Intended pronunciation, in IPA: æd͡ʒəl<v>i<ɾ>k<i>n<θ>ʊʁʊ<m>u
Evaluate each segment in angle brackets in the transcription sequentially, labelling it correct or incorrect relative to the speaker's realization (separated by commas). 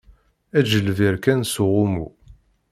correct, correct, incorrect, incorrect, correct